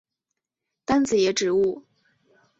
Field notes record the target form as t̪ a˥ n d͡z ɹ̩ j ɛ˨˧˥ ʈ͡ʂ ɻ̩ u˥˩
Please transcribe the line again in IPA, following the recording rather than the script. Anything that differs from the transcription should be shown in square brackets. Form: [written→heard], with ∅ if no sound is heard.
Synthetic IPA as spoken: t̪ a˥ n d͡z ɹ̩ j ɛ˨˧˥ ʈ͡ʂ ɻ̩ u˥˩